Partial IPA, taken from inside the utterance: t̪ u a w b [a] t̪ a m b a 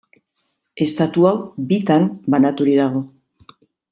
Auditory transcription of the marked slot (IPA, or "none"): i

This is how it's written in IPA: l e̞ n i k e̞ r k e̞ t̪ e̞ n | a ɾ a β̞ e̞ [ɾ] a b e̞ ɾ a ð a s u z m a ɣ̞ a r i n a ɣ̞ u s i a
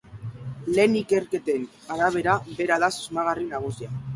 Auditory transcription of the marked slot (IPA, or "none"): ɾ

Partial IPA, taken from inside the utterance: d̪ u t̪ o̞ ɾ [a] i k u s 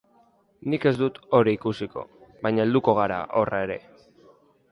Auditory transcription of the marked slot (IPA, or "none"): i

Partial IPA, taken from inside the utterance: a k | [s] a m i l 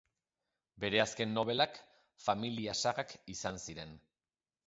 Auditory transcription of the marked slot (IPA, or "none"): f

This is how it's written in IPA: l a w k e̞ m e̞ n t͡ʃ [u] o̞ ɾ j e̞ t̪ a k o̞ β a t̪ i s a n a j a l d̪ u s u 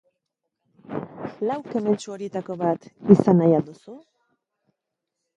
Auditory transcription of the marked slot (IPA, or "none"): u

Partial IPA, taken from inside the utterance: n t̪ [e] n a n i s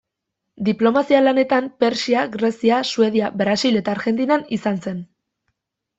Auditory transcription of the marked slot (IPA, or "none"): i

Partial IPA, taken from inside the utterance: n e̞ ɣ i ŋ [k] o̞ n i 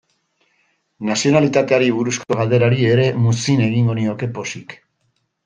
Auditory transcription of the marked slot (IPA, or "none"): ɡ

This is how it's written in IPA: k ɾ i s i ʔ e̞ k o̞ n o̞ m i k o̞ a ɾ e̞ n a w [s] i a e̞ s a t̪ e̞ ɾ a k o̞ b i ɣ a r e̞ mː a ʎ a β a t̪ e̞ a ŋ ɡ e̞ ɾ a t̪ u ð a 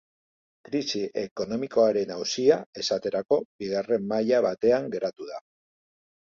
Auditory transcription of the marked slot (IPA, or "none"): s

